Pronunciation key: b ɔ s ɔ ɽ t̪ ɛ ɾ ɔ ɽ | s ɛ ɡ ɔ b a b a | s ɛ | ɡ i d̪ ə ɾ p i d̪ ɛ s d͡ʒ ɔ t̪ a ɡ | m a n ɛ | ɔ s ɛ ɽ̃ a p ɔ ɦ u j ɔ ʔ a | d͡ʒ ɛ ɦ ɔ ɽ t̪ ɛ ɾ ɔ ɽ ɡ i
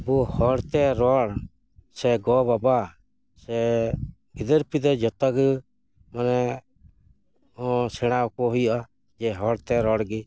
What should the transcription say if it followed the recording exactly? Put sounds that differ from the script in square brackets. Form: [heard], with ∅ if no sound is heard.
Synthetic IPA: b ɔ [h] ɔ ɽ t̪ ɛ ɾ ɔ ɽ | s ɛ ɡ ɔ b a b a | s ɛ | ɡ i d̪ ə ɾ p i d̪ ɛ [∅] d͡ʒ ɔ t̪ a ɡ | m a n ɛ | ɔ s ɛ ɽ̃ a [k] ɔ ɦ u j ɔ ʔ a | d͡ʒ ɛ ɦ ɔ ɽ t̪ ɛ ɾ ɔ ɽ ɡ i